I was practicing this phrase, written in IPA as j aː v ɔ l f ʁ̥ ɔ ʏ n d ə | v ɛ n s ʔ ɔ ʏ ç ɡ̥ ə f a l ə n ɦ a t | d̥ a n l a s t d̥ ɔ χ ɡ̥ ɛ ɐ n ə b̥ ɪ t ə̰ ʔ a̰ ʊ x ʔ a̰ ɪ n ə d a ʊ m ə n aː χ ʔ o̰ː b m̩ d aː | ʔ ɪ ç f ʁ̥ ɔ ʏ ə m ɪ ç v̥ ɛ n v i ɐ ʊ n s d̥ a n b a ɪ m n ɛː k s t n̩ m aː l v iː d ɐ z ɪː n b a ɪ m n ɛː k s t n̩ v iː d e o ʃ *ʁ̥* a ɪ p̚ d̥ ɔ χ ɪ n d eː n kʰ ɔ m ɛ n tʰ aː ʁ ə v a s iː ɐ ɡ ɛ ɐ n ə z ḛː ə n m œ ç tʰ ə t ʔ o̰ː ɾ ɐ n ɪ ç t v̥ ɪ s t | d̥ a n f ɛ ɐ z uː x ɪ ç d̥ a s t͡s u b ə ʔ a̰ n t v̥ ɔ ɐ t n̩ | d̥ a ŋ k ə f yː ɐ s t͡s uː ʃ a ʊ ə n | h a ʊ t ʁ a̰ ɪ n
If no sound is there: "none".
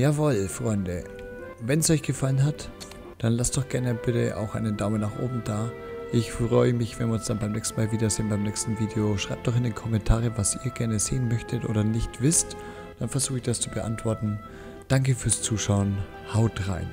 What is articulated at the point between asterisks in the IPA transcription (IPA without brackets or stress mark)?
ʁ̥